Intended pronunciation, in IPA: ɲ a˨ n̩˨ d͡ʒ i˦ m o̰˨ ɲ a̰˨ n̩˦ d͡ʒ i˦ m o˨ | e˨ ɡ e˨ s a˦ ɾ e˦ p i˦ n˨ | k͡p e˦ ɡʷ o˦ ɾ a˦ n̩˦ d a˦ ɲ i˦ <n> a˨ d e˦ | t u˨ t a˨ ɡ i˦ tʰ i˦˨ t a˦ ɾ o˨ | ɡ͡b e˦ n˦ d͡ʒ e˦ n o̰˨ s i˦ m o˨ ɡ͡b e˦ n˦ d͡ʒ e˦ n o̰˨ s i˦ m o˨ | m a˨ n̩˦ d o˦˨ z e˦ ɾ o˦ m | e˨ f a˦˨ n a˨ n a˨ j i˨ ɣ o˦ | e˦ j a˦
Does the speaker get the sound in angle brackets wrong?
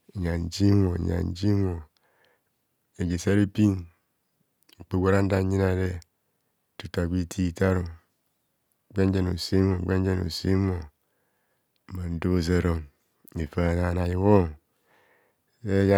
no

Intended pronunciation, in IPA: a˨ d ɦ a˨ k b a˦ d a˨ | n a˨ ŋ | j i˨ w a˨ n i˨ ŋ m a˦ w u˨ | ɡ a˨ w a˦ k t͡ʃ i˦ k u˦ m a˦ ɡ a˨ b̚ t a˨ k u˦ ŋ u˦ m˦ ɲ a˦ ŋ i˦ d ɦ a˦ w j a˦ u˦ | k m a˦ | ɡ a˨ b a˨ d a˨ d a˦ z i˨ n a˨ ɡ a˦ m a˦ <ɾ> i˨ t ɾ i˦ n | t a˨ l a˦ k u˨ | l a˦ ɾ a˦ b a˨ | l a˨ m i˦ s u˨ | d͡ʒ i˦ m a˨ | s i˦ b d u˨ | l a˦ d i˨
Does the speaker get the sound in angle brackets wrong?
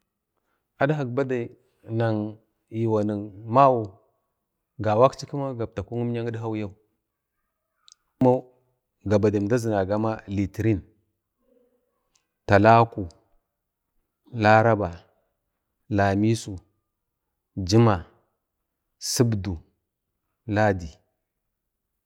yes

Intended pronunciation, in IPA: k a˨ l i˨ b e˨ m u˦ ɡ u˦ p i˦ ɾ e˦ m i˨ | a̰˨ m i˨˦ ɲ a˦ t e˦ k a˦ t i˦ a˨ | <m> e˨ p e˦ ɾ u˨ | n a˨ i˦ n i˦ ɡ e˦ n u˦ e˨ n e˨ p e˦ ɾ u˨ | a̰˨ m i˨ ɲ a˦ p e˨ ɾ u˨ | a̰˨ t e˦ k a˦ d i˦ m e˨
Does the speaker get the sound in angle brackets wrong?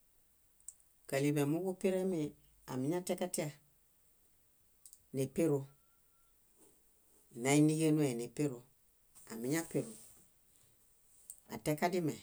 yes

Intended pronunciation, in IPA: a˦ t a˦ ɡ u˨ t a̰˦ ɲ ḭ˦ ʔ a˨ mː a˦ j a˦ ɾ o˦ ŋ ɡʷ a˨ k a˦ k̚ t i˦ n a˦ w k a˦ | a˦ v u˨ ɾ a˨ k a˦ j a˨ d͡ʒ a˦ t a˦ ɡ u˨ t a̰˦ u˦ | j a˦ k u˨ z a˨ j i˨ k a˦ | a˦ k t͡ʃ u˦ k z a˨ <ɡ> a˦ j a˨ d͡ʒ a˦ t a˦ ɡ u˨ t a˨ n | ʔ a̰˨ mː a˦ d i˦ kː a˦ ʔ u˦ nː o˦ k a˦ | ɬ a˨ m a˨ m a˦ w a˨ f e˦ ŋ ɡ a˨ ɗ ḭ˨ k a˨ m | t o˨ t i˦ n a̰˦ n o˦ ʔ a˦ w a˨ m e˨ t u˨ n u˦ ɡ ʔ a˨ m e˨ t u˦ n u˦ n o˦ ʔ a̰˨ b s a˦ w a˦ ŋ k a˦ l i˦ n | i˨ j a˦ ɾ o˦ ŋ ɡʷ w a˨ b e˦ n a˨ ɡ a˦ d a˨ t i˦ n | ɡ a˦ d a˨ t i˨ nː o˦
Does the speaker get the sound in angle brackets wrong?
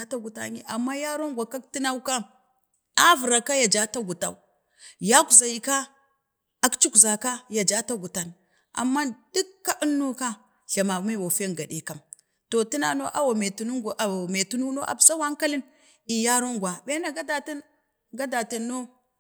yes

